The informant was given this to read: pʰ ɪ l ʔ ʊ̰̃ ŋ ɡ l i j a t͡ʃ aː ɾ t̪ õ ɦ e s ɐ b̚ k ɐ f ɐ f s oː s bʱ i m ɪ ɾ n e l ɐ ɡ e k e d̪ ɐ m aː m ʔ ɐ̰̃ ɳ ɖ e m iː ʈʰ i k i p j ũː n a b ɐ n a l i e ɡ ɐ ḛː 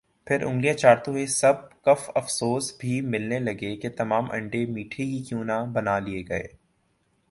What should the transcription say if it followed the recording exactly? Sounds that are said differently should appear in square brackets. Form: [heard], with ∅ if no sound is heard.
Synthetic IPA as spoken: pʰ ɪ [ɾ] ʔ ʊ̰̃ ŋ ɡ l i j a t͡ʃ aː ɾ t̪ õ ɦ e s ɐ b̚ k ɐ f ɐ f s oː s bʱ i m ɪ [l] n e l ɐ ɡ e k e [t̪] ɐ m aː m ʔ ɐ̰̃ ɳ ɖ e m iː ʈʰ i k i [k] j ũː n a b ɐ n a l i e ɡ ɐ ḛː